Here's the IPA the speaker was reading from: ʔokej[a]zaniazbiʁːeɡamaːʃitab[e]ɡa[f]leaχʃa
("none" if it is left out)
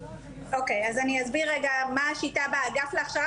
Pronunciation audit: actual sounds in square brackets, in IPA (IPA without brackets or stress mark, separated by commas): a, a, f